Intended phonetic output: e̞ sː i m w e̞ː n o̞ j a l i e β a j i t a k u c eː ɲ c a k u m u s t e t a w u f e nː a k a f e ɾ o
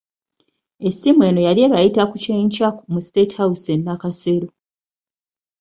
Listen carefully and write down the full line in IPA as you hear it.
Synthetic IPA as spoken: e̞ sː i m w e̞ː n o̞ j a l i e β a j i t a k u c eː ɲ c a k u m u s t e t a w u s e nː a k a s e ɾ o